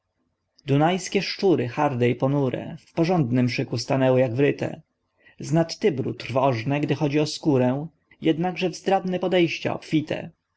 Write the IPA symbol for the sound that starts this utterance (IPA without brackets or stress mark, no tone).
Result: d̪